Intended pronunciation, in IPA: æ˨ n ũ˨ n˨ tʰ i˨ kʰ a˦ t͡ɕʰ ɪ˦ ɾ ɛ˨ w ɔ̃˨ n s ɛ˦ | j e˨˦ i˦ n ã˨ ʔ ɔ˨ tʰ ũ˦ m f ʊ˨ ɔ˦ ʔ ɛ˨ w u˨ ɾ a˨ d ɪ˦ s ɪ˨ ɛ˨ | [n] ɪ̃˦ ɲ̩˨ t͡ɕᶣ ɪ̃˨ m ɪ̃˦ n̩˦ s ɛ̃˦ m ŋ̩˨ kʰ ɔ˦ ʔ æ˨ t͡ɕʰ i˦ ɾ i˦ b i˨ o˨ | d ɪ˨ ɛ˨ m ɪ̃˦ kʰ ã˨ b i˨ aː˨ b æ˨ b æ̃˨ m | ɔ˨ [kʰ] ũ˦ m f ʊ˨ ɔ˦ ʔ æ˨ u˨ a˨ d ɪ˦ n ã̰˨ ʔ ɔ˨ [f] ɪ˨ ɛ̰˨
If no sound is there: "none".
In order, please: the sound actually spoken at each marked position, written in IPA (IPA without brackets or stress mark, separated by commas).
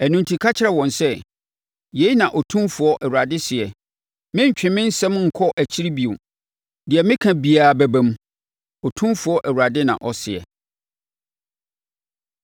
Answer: m, tʰ, s